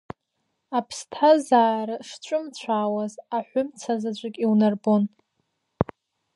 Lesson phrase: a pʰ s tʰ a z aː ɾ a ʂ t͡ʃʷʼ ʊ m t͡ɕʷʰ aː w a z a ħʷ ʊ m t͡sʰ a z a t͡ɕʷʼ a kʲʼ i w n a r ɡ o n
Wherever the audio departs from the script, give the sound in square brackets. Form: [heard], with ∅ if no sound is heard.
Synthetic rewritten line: a pʰ s tʰ a z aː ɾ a ʂ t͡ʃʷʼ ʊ m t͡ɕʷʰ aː w a z a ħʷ ʊ m t͡sʰ a z a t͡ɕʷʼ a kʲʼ i w n a r [b] o n